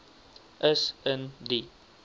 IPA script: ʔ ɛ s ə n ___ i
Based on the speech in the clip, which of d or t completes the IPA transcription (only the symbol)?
d